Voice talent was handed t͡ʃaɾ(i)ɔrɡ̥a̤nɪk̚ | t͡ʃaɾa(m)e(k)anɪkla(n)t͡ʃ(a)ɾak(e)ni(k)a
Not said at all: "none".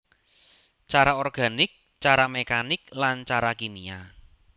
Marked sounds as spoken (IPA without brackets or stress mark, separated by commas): a, m, k, n, a, i, none